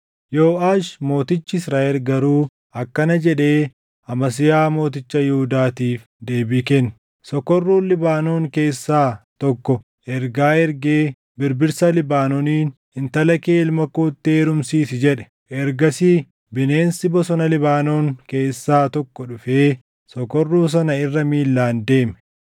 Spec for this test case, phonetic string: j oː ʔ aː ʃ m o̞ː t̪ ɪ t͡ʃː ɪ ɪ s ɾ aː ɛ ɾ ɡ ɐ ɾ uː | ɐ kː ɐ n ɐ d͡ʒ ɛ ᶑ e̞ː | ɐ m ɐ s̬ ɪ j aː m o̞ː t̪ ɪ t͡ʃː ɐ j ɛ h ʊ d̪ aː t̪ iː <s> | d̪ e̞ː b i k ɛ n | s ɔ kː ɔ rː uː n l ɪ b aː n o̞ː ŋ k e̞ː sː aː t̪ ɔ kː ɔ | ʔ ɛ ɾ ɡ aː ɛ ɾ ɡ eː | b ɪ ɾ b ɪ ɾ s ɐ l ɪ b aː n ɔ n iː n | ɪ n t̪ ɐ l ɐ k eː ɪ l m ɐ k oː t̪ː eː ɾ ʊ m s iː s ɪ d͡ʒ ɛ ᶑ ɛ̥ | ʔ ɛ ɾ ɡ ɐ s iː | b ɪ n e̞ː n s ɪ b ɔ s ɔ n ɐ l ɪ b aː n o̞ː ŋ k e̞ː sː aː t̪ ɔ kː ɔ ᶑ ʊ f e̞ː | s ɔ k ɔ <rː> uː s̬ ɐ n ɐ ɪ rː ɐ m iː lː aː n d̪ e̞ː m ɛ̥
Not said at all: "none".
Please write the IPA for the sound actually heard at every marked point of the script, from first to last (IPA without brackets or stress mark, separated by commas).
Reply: f, rː